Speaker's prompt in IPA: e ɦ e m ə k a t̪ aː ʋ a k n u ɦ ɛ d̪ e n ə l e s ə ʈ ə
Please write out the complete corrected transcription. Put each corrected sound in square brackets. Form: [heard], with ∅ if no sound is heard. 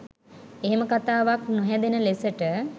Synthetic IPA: e ɦ e m ə k a t̪ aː ʋ a k n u ɦ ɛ d̪ e n ə l e s ə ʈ ə